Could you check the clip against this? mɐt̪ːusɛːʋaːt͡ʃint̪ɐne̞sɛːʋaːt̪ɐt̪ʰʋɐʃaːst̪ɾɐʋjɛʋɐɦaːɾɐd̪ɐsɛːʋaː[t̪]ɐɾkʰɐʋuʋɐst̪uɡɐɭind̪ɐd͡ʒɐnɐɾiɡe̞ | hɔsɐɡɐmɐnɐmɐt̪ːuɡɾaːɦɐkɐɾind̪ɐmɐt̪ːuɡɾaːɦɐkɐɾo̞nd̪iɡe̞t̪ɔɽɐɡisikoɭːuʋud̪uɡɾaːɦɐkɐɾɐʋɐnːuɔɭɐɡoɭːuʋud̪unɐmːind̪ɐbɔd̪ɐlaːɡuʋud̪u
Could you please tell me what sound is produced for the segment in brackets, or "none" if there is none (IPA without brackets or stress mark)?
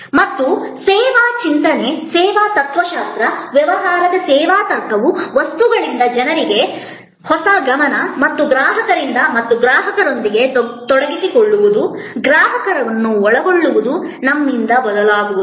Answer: t̪